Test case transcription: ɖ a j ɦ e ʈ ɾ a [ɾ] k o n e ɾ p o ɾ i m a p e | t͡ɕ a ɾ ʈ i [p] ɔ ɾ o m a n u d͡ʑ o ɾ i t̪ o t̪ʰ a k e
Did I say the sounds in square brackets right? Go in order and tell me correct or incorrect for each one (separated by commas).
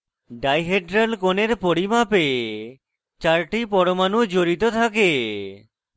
incorrect, correct